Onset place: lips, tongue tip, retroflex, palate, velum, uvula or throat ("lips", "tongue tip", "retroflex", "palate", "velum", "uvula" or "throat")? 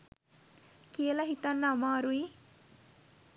velum